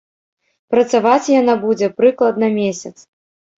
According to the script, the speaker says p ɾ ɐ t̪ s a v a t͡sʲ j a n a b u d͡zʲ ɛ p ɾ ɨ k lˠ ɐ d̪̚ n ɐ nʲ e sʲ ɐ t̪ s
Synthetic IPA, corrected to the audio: p ɾ ɐ t̪ s a v a t͡sʲ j a n a b u d͡zʲ ɛ p ɾ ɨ k lˠ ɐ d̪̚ n ɐ mʲ e sʲ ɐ t̪ s